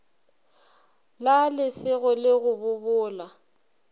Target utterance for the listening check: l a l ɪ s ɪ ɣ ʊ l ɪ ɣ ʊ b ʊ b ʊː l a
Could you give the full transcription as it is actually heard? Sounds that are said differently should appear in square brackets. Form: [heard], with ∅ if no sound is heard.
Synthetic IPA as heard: l a l ɪ s ɪ ɣ ʊ l ɪ ɣ ʊ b ʊ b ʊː l a